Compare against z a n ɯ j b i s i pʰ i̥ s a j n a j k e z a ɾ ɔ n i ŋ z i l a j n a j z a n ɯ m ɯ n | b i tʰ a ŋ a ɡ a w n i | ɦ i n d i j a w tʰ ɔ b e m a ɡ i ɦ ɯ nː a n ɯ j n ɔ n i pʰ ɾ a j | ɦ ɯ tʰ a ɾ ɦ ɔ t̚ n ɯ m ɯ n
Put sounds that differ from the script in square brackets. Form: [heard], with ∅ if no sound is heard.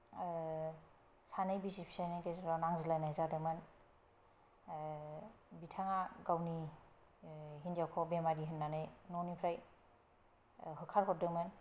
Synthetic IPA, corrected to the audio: [s] a n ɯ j b i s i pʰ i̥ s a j n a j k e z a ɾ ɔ n [a] ŋ z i l a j n a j z a [d] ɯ m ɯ n | b i tʰ a ŋ a ɡ a w n i | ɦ i n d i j a w [kʰ] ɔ b e m a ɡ i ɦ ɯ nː a n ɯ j n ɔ n i pʰ ɾ a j | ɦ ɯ [kʰ] a ɾ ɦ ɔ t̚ [d] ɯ m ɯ n